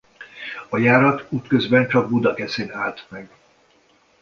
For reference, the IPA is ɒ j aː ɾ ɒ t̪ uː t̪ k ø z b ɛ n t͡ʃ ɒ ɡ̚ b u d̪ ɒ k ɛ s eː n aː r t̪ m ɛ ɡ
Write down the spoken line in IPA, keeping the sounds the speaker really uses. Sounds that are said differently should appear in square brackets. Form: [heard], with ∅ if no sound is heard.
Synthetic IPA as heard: ɒ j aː ɾ ɒ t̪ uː t̪ k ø z b ɛ n t͡ʃ ɒ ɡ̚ b u d̪ ɒ k ɛ s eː n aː [l] t̪ m ɛ ɡ